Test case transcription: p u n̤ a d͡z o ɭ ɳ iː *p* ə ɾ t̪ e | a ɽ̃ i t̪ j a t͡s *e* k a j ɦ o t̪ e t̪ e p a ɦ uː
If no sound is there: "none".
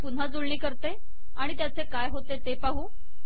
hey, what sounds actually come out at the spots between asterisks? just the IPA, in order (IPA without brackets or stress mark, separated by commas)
k, e